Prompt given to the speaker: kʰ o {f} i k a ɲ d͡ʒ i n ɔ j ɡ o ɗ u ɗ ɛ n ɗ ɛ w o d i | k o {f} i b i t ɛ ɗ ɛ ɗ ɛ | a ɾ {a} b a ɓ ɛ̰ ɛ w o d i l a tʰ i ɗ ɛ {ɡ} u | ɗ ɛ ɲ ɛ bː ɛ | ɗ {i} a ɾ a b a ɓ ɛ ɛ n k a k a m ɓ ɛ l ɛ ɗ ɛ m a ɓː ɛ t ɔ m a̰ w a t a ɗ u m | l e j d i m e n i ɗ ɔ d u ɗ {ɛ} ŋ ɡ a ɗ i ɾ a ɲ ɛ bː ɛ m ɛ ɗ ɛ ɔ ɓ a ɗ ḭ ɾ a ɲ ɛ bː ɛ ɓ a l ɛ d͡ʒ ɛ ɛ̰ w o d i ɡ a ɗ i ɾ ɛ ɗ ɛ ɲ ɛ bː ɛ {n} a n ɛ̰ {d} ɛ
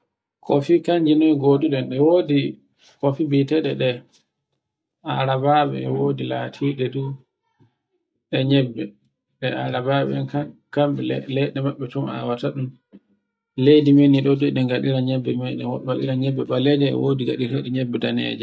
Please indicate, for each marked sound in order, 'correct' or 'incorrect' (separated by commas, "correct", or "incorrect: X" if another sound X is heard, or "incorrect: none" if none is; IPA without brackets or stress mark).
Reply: correct, correct, correct, incorrect: d, incorrect: ɛ, correct, incorrect: d, incorrect: d͡ʒ